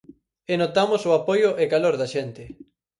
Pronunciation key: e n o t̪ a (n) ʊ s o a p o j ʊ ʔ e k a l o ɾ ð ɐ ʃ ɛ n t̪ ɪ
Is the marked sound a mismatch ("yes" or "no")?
yes